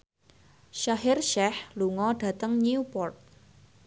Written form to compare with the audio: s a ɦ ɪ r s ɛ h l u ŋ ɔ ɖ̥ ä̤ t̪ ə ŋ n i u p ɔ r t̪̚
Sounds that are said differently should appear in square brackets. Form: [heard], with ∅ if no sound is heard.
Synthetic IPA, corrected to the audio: [ʃ] a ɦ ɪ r [ʃ] ɛ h l u ŋ ɔ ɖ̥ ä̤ t̪ ə ŋ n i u p ɔ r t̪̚

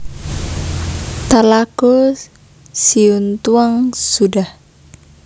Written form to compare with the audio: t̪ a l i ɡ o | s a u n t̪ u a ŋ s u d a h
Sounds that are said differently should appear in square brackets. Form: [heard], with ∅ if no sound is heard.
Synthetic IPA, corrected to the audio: t̪ a l [a] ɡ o | s [i] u n t̪ u a ŋ s u d a h

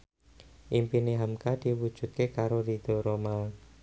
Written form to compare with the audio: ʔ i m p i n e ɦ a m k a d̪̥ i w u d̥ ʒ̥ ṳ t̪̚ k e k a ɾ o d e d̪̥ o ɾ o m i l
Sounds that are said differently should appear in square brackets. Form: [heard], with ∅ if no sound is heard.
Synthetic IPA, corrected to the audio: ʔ i m p i n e ɦ a m k a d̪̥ i w u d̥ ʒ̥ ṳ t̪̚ k e k a ɾ o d [i] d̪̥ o ɾ o m [a] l

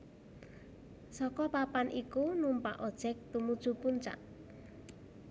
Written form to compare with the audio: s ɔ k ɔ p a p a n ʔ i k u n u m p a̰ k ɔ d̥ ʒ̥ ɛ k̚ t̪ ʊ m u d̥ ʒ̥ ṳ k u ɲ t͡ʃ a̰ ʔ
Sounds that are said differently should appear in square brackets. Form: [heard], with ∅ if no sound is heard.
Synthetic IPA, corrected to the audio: s ɔ k ɔ p a p a n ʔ i k u n u m p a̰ [ʔ] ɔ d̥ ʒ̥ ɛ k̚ t̪ [u] m u d̥ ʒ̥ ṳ [p] u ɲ t͡ʃ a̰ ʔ

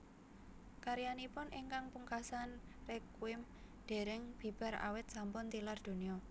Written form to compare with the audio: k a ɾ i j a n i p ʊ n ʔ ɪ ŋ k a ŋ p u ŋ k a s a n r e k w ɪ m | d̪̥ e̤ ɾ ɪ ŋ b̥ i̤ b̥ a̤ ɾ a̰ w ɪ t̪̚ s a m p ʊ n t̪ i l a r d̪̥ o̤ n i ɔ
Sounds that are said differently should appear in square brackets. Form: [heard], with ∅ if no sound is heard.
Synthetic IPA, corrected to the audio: k a ɾ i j a n i p ʊ n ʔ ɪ ŋ k a ŋ p u ŋ k a s a n r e k w ɪ m | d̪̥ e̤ ɾ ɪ ŋ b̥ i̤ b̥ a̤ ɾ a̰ w ɪ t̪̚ s a m p ʊ n t̪ i l a r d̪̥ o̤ n i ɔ

